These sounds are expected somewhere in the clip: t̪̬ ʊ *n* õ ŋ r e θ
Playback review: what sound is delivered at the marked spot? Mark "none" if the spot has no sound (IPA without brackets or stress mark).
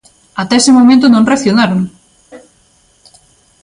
n